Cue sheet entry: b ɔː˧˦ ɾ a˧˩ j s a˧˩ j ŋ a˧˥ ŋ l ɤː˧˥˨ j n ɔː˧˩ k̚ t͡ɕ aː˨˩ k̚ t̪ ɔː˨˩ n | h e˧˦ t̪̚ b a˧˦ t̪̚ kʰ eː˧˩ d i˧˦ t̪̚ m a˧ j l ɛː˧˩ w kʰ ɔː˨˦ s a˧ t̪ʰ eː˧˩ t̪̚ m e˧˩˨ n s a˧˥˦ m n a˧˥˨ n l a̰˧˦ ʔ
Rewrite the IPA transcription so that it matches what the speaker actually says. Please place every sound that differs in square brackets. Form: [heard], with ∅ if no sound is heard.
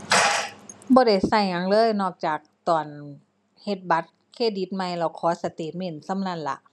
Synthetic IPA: b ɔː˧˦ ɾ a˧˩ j s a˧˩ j ŋ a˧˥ ŋ l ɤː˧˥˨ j n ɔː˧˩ k̚ t͡ɕ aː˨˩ k̚ t̪ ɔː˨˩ n | h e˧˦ t̪̚ b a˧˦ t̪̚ kʰ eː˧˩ d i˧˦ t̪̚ m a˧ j l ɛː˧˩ w kʰ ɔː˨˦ s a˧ [t̪] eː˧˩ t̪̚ m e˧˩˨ n s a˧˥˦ m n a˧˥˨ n l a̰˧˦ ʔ